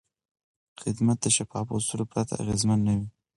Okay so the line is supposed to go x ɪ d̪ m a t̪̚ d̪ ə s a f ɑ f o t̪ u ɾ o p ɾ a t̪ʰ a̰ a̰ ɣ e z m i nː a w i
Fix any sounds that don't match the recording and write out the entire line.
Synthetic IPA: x ɪ d̪ m a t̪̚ d̪ ə ʃ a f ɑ f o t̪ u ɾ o p ɾ a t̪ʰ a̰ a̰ ɣ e z m a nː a w i